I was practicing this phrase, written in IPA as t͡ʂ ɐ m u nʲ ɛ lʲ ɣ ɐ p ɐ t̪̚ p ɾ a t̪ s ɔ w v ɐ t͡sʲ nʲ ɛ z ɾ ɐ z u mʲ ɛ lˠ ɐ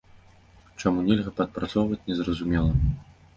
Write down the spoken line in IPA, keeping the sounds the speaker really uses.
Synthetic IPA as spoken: t͡ʂ a m u nʲ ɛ lʲ ɣ ɐ p ɐ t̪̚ p ɾ a t̪ s ɔ w v ɐ t͡sʲ nʲ ɛ z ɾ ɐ z u mʲ ɛ lˠ ɐ